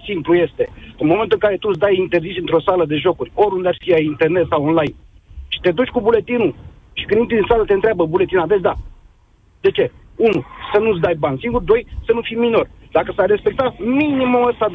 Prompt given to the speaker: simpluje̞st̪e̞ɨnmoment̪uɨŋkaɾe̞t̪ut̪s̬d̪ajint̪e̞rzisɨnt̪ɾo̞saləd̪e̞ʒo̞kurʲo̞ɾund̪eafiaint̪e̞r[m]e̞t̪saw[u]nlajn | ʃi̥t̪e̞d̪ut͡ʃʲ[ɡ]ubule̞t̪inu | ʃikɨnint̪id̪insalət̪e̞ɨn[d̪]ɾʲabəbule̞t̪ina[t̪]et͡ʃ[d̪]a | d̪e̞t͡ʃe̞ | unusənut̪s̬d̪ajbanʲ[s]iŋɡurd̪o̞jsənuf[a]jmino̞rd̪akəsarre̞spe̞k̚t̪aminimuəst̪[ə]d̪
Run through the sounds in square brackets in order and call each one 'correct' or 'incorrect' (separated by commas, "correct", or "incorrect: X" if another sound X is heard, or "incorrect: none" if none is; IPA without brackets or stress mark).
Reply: incorrect: n, incorrect: o, incorrect: k, incorrect: t̪, incorrect: d̪, correct, correct, incorrect: i, incorrect: a